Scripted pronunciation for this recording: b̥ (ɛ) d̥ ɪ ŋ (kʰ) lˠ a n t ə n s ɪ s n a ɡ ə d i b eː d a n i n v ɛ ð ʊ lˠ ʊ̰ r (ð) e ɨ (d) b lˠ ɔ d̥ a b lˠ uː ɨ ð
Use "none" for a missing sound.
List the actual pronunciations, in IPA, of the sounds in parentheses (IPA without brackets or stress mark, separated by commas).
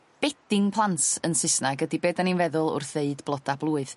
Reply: ɛ, pʰ, θ, d